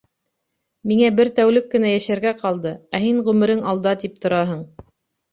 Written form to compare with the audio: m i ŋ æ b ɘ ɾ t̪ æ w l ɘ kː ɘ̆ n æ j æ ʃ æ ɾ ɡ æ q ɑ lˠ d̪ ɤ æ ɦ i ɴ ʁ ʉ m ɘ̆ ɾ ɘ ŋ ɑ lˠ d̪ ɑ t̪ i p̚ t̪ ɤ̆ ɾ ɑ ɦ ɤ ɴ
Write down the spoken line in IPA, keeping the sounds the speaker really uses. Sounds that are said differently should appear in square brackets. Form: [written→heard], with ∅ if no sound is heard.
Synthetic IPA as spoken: m i ŋ æ b ɘ ɾ t̪ æ w l ɘ kː ɘ̆ n æ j æ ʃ æ ɾ ɡ æ q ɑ lˠ d̪ ɤ æ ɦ i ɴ ʁ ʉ m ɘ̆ ɾ ɘ ŋ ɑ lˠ d̪ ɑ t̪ i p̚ t̪ [ɤ̆→ŏ] ɾ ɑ ɦ ɤ ɴ